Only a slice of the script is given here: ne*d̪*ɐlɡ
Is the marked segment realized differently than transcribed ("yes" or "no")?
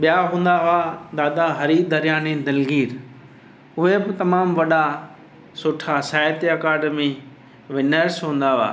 no